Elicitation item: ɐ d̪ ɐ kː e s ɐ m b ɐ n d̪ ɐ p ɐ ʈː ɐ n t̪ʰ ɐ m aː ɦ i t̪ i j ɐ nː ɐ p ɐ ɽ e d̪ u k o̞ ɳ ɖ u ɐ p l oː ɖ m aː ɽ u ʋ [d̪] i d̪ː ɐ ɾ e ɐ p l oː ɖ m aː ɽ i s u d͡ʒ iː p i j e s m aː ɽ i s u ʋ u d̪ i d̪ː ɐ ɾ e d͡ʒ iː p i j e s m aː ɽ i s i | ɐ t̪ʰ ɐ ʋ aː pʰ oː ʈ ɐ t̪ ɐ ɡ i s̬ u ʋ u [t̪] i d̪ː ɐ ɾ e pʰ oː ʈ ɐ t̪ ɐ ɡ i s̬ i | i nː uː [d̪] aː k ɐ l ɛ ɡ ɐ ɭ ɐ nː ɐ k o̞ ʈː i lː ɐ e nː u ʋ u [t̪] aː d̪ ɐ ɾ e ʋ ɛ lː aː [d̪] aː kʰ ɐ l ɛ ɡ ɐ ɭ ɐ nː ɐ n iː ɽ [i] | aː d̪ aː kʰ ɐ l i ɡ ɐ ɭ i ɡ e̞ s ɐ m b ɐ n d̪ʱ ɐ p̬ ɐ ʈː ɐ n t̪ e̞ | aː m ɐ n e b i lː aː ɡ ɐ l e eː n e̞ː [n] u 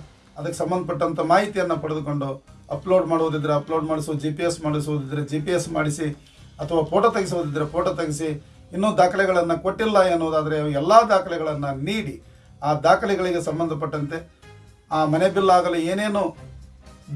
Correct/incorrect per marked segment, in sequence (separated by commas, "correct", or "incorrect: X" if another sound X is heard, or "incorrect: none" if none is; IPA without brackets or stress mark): correct, incorrect: d̪, correct, incorrect: d̪, correct, correct, correct